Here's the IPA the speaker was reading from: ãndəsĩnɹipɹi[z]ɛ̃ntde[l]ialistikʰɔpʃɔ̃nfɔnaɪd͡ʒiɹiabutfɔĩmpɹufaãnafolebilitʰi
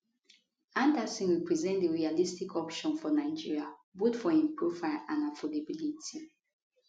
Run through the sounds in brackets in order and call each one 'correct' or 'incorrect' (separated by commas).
correct, incorrect